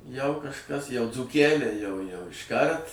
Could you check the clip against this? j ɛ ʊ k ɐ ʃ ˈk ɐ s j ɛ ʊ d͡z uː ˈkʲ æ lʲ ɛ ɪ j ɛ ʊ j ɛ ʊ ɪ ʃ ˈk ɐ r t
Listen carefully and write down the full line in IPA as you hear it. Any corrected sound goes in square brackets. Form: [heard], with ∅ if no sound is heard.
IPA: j ɛ ʊ k ɐ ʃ ˈk ɐ s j ɛ ʊ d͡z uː ˈkʲ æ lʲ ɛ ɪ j ɛ ʊ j ɛ ʊ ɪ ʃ ˈk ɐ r t